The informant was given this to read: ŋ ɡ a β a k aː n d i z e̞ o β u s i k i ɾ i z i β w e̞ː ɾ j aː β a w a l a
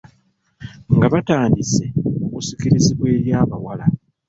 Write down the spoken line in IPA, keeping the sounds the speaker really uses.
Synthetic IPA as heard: ŋ ɡ a β a t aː n d i s e̞ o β u s i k i ɾ i z i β w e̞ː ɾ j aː β a w a l a